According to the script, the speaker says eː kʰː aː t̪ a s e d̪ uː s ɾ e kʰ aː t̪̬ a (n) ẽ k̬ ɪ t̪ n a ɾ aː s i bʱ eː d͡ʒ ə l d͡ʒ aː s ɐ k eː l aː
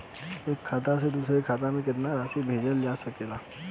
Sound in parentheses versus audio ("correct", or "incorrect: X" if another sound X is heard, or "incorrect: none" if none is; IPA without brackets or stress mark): incorrect: m